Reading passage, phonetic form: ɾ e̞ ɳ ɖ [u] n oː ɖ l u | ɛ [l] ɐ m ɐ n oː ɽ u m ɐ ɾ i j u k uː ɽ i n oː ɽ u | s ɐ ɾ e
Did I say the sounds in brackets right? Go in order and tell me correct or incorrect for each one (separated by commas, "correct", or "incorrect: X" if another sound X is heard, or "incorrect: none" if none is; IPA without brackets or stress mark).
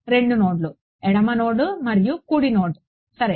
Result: correct, incorrect: ɽ